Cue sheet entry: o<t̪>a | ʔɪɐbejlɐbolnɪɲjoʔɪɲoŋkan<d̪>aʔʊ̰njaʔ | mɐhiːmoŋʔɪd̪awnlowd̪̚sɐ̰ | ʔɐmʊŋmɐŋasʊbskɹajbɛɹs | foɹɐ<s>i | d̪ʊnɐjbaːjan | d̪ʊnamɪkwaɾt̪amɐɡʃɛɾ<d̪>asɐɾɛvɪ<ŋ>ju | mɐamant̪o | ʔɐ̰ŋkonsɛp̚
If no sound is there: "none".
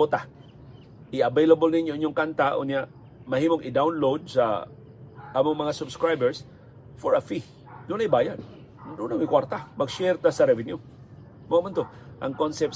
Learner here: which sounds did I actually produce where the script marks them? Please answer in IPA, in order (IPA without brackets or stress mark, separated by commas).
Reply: t̪, t̪, f, t̪, n